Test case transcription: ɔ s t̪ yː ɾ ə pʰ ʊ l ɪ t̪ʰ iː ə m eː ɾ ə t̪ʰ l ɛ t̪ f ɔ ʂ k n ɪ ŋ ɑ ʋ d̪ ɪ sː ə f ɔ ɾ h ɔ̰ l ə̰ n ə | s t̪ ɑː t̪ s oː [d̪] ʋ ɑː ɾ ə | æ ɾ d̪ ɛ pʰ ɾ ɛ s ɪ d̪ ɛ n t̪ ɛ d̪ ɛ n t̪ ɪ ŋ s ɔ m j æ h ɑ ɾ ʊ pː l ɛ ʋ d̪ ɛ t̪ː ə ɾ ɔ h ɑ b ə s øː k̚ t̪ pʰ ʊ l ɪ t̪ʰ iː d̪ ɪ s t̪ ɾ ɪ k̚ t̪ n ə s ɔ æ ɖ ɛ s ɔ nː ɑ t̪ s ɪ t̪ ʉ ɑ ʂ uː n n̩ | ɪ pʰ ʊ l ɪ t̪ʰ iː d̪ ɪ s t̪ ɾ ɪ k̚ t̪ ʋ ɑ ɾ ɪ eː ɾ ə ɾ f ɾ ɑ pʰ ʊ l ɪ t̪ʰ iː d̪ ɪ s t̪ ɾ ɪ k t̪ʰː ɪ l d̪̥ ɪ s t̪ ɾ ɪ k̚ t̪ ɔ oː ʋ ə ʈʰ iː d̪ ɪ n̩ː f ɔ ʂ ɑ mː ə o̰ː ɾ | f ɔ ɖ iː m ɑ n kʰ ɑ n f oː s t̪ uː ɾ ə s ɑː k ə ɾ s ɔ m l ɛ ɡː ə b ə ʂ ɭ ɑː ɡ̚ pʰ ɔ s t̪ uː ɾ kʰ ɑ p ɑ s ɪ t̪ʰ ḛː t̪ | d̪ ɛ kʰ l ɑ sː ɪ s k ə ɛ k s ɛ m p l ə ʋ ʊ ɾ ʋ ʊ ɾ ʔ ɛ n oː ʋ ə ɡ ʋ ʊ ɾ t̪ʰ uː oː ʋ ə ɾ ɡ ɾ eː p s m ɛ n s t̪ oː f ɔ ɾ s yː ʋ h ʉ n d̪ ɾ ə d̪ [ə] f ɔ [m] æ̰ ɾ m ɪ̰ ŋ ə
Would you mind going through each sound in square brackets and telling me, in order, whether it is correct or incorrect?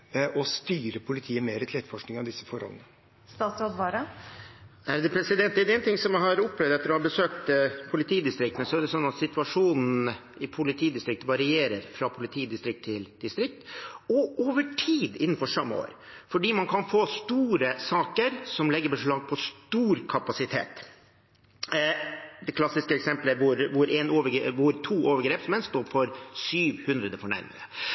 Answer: correct, correct, incorrect: ɳ

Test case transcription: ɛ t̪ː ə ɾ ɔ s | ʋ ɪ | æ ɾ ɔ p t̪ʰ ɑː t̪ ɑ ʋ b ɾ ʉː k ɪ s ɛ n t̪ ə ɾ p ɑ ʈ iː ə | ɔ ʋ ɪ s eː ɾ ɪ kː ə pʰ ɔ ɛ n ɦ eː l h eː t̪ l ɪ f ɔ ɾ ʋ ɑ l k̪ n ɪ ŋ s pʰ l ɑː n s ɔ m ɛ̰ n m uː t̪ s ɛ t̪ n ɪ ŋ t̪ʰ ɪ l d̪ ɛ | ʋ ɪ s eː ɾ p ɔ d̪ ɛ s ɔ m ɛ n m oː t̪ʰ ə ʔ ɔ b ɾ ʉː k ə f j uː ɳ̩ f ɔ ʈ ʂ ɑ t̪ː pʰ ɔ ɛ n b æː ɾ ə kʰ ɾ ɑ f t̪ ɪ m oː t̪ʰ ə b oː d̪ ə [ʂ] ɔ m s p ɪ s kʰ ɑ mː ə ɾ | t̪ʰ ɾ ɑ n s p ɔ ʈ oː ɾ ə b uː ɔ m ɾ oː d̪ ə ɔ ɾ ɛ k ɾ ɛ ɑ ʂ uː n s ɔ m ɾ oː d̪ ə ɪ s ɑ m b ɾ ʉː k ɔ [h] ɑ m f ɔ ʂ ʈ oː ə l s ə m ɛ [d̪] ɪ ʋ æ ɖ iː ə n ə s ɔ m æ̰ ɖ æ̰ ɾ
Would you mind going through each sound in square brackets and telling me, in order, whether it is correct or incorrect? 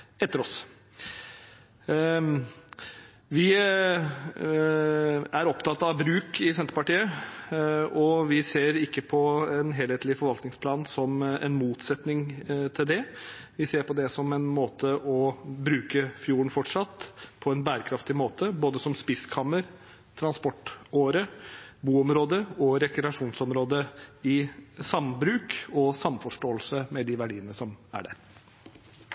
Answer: incorrect: s, incorrect: s, correct

